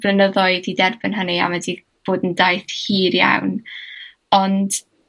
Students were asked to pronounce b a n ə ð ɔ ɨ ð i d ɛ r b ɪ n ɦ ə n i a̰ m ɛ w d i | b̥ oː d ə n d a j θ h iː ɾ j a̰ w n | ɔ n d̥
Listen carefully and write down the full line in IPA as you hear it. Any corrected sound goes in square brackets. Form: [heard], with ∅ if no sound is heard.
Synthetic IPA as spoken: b [ə] n ə ð ɔ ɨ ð i d ɛ r b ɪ n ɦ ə n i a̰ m ɛ [∅] d i | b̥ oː d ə n d a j θ h iː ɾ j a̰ w n | ɔ n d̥